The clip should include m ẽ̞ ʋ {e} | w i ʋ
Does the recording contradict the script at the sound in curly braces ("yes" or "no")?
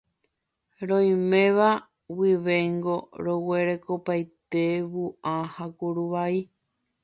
yes